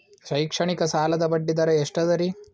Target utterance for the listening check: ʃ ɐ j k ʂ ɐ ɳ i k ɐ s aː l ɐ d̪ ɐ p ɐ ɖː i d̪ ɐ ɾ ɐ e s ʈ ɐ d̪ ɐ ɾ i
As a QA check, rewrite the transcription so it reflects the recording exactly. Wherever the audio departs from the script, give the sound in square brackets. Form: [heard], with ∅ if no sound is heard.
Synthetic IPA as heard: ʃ ɐ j k ʂ ɐ ɳ i k ɐ s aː l ɐ d̪ ɐ [b] ɐ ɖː i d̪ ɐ ɾ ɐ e [ʂ] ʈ ɐ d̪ ɐ ɾ i